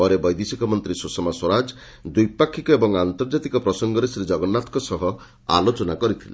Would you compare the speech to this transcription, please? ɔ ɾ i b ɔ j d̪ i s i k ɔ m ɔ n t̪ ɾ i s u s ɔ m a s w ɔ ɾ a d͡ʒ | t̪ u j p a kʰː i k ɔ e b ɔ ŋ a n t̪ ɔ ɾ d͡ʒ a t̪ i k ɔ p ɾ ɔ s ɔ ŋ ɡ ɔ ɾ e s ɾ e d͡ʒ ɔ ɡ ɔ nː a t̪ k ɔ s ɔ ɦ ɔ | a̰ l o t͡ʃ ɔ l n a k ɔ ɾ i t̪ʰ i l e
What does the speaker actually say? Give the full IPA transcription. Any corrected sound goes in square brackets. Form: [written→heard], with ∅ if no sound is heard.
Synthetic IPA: ɔ ɾ [i→e] b ɔ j d̪ i s i k ɔ m ɔ n t̪ ɾ i s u s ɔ m a s w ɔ ɾ a d͡ʒ | [t̪→d̪] u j p a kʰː i k ɔ e b ɔ ŋ a n t̪ ɔ ɾ d͡ʒ a t̪ i k ɔ p ɾ ɔ s ɔ ŋ ɡ ɔ ɾ e s ɾ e d͡ʒ ɔ ɡ ɔ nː a t̪ k ɔ s ɔ ɦ ɔ | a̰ l o t͡ʃ ɔ [l→∅] n a k ɔ ɾ i t̪ʰ i l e